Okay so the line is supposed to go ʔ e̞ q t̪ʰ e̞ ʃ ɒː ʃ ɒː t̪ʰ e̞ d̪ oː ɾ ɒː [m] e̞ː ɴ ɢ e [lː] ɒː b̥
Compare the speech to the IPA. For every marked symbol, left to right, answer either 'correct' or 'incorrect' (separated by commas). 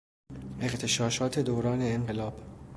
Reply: incorrect, incorrect